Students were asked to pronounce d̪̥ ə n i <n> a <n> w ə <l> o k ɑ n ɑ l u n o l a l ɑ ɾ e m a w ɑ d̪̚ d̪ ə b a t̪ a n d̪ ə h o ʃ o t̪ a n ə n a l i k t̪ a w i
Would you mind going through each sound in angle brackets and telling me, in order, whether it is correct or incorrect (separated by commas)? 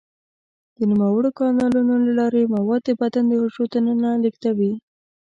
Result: incorrect, incorrect, incorrect